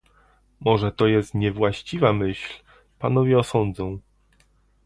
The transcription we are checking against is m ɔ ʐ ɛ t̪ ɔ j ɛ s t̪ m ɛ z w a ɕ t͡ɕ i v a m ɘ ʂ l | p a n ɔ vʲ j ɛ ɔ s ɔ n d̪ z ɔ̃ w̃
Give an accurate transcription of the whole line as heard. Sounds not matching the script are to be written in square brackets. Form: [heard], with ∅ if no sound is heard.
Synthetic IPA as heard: m ɔ ʐ ɛ t̪ ɔ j ɛ s t̪ [ɲ] ɛ [v] w a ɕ t͡ɕ i v a m ɘ [ɕ] l | p a n ɔ vʲ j ɛ ɔ s ɔ n d̪ z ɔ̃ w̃